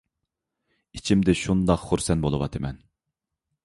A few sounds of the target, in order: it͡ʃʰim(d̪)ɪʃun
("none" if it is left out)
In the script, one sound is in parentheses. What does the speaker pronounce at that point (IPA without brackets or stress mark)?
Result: d̪